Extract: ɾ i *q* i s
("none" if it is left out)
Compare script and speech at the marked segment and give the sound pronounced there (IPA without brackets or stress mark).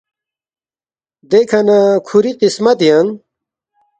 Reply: q